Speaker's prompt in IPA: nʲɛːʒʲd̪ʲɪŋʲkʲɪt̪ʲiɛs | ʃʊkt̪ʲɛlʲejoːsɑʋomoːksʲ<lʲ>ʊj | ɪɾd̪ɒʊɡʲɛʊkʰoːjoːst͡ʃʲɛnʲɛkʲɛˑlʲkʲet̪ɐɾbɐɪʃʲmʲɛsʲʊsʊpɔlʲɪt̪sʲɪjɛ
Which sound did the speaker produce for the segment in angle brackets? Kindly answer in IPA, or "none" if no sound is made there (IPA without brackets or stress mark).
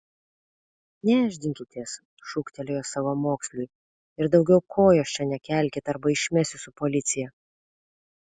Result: lʲ